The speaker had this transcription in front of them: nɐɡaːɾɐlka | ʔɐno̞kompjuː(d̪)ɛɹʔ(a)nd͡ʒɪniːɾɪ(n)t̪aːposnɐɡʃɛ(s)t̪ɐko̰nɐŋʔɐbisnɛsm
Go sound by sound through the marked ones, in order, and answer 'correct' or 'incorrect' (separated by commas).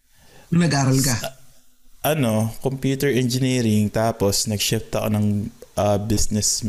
incorrect, incorrect, incorrect, incorrect